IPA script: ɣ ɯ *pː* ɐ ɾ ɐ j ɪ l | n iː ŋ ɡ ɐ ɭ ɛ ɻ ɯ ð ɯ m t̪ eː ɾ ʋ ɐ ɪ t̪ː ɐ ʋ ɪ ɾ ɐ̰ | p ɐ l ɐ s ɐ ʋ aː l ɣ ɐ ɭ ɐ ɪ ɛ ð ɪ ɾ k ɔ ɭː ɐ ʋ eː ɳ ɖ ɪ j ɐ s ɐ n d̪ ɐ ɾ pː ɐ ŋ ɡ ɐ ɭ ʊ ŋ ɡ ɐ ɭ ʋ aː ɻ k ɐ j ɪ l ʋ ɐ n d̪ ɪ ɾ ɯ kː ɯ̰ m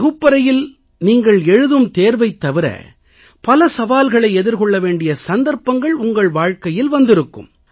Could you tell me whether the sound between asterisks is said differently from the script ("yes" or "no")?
no